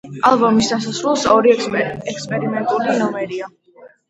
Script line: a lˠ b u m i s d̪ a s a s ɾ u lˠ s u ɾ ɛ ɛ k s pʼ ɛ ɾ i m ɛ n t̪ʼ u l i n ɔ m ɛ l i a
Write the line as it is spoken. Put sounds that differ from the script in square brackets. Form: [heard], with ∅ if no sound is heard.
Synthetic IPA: a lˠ b [ɔ] m i s d̪ a s a s ɾ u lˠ s [ɔ] ɾ [i] ɛ k s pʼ ɛ ɾ i m ɛ n t̪ʼ u l i n ɔ m ɛ [ɾ] i a